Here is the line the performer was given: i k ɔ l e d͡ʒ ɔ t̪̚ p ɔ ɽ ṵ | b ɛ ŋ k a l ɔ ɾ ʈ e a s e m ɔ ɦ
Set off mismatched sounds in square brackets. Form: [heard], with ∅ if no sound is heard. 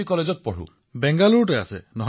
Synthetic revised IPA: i k ɔ l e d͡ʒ ɔ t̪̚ p ɔ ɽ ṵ | b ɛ ŋ [ɡ] a l [u] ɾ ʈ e a s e [n] ɔ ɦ